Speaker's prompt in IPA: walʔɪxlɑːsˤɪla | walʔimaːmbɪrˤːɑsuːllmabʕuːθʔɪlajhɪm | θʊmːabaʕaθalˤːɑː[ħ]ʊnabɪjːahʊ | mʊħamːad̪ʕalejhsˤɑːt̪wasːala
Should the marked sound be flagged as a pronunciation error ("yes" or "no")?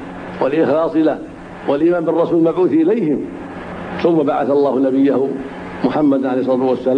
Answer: yes